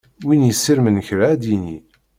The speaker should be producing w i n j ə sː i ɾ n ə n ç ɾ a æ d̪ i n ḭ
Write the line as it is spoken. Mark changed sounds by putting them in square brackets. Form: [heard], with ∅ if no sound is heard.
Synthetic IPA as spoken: w i n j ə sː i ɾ [m] ə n ç ɾ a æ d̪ i n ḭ